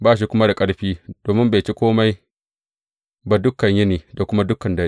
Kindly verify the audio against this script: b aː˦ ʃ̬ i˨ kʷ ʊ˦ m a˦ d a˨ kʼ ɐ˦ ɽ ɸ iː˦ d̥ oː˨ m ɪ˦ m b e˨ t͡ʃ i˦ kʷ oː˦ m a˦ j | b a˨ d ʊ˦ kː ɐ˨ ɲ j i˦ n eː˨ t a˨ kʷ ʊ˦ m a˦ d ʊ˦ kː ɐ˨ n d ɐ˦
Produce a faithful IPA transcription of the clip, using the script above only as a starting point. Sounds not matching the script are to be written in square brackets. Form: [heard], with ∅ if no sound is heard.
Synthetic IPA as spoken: b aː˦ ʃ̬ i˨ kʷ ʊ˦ m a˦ d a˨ kʼ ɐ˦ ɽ ɸ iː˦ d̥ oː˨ m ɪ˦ m b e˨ t͡ʃ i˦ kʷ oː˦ m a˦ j | b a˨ d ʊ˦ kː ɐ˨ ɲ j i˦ n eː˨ [d] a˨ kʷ ʊ˦ m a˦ d ʊ˦ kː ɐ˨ n d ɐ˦

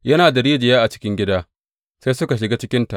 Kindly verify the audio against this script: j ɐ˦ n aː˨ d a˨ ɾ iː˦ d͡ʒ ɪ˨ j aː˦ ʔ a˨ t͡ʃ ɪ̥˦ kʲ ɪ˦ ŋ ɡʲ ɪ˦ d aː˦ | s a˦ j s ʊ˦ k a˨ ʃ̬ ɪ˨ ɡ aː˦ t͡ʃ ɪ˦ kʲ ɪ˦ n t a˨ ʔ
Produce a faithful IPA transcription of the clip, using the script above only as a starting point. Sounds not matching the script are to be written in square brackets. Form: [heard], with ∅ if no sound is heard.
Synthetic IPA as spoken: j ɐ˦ n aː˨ d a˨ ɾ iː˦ d͡ʒ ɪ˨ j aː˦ ʔ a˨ t͡ʃ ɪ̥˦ kʲ ɪ˦ ŋ ɡʲ ɪ˦ d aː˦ | s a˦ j s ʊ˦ k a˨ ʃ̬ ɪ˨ ɡ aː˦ t͡ʃ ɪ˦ kʲ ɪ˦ n t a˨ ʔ

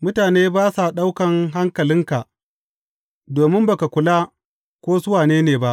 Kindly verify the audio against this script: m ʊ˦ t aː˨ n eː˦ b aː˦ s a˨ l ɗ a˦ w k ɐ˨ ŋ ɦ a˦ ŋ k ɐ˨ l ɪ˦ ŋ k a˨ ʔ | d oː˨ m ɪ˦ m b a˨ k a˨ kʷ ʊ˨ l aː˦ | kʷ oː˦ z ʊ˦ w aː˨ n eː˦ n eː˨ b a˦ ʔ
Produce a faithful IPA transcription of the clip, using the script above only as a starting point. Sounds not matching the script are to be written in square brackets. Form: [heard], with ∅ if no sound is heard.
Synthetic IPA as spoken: m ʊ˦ t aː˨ n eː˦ b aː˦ s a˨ [∅] ɗ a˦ w k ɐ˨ ŋ ɦ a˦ ŋ k ɐ˨ l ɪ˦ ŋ k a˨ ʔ | d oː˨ m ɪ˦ m b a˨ k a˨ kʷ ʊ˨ l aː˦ | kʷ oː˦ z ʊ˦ w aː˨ n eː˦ n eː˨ b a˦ ʔ

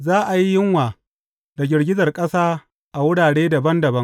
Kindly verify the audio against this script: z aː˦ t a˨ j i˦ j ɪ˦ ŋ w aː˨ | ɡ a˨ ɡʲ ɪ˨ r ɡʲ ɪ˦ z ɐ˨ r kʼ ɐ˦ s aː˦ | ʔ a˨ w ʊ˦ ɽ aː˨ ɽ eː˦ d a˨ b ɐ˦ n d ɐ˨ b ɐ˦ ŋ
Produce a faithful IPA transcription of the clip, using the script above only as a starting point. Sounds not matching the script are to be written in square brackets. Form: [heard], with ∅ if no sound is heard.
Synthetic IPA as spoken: z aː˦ [ʔ] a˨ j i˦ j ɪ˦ ŋ w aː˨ | [d] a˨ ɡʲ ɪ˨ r ɡʲ ɪ˦ z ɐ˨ r kʼ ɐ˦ s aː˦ | ʔ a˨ w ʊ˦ ɽ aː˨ ɽ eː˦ d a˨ b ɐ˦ n d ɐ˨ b ɐ˦ ŋ

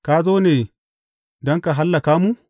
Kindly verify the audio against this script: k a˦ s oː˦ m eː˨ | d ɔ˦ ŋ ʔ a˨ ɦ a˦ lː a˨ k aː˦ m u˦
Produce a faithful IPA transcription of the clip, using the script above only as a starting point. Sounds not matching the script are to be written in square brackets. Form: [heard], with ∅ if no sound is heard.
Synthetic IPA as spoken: k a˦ [z] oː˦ [n] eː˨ | d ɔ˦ ŋ [k] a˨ ɦ a˦ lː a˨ k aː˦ m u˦

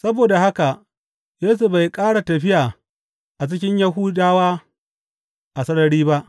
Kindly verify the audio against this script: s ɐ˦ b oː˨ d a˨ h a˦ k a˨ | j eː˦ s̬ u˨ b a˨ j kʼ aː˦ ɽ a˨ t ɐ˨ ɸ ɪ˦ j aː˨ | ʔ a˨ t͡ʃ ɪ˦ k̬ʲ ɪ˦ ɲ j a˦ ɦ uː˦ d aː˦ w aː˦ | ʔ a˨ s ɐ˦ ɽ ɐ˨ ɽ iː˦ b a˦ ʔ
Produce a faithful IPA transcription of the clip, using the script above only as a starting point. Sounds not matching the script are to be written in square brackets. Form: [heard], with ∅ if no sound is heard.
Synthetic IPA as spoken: s ɐ˦ b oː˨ d a˨ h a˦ k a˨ | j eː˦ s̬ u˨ b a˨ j kʼ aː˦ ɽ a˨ t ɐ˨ ɸ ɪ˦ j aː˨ | ʔ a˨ t͡ʃ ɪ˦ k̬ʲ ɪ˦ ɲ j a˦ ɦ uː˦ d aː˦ w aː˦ | ʔ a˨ s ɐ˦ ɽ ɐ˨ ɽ iː˦ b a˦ ʔ

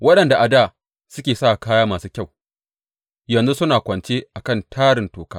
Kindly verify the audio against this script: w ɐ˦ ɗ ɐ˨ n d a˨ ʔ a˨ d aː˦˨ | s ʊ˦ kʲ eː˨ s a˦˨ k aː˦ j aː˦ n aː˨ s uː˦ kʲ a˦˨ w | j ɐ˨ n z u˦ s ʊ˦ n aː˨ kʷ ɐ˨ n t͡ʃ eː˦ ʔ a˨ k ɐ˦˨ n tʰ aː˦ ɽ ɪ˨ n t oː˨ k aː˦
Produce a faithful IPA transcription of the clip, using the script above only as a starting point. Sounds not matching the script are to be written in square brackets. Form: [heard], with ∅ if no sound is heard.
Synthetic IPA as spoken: w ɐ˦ ɗ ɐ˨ n d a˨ ʔ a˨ d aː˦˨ | s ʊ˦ kʲ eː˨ s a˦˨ k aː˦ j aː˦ [m] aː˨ s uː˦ kʲ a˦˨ w | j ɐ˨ n z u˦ s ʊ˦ n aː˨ kʷ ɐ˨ n t͡ʃ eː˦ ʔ a˨ k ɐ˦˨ n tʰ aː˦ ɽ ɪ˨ n t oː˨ k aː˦

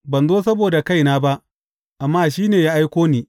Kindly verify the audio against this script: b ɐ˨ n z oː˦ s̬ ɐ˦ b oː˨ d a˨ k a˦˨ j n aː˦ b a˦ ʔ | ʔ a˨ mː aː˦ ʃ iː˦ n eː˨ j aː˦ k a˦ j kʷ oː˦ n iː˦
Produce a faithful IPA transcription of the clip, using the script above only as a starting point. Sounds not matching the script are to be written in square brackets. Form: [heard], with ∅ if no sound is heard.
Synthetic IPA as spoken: b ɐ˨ n z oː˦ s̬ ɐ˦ b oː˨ d a˨ k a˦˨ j n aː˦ b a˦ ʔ | ʔ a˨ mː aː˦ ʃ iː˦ n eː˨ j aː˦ [ʔ] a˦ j kʷ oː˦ n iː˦

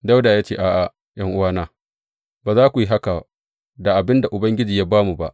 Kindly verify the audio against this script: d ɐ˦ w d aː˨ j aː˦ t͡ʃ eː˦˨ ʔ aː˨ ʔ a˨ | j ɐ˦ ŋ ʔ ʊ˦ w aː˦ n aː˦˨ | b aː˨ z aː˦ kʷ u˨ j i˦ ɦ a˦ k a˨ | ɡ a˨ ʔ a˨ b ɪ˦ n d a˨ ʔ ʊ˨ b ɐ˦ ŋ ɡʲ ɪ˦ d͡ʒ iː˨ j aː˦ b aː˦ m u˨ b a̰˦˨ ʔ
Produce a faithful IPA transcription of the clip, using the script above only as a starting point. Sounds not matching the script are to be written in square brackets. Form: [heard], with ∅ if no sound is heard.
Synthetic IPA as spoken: d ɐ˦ w d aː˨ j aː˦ t͡ʃ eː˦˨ ʔ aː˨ ʔ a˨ | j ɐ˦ ŋ ʔ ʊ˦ w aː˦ n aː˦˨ | b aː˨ z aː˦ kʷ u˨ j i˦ ɦ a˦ k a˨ | [d] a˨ ʔ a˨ b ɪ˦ n d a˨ ʔ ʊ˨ b ɐ˦ ŋ ɡʲ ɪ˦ d͡ʒ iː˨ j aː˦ b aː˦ m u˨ b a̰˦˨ ʔ

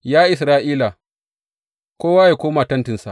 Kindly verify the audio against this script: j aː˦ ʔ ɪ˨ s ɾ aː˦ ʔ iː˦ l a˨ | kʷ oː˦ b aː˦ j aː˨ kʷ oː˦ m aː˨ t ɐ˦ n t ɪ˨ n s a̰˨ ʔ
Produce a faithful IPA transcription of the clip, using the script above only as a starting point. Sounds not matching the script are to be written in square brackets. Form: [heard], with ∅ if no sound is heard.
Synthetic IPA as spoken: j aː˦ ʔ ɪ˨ s ɾ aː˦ ʔ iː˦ l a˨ | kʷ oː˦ [w] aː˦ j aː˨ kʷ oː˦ m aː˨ t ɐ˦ n t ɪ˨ n s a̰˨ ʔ

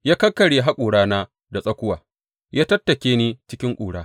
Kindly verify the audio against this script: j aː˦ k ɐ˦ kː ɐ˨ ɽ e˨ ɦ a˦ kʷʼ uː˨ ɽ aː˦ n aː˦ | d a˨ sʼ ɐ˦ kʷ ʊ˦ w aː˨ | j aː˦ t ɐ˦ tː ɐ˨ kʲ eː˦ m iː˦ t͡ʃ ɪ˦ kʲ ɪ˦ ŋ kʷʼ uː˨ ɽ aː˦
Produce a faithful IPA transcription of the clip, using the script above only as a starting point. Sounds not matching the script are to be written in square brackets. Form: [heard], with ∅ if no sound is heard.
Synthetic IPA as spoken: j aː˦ k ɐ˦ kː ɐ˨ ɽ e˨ ɦ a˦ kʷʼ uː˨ ɽ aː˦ n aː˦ | d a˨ sʼ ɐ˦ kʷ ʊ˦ w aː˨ | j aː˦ t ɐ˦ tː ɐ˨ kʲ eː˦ [n] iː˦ t͡ʃ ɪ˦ kʲ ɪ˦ ŋ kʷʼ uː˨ ɽ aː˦

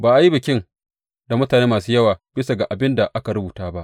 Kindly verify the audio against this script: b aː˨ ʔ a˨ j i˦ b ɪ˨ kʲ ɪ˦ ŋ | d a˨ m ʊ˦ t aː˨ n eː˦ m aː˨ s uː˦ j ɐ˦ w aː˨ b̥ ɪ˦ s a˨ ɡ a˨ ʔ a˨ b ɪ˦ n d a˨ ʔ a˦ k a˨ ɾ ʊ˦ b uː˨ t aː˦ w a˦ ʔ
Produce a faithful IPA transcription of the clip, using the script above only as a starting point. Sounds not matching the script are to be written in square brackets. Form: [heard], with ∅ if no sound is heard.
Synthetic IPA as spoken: b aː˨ ʔ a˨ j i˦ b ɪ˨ kʲ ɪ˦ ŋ | d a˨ m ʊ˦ t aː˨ n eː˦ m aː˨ s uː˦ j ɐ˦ w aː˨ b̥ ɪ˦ s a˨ ɡ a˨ ʔ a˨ b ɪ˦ n d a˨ ʔ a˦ k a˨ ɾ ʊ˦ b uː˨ t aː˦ [b] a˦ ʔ

